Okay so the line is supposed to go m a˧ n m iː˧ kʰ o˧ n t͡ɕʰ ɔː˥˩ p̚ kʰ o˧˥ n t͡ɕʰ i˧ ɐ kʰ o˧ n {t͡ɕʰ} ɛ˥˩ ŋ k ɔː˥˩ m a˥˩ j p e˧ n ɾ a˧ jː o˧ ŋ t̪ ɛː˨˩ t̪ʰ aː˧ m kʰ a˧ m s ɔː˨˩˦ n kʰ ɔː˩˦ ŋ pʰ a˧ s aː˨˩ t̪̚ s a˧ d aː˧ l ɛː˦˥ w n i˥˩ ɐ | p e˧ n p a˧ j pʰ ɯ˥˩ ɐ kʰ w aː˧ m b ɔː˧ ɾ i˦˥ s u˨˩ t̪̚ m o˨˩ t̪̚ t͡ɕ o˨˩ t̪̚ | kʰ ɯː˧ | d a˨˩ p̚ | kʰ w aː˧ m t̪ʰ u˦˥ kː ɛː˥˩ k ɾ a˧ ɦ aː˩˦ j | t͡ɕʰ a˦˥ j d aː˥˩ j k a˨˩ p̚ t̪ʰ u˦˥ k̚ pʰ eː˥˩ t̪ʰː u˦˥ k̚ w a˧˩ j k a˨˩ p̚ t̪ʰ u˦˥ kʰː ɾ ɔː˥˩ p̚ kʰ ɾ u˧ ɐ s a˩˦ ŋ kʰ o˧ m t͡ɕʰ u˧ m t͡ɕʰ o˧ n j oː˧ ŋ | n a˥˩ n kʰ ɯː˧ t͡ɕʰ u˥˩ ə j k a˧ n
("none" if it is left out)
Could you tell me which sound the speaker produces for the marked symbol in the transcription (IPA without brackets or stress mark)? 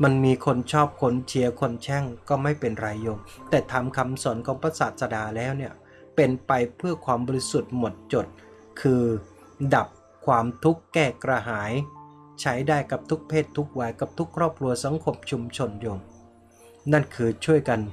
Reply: t͡ɕʰ